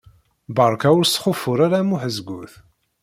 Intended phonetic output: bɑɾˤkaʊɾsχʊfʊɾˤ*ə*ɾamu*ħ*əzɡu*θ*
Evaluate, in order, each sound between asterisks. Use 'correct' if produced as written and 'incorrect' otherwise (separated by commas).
incorrect, correct, correct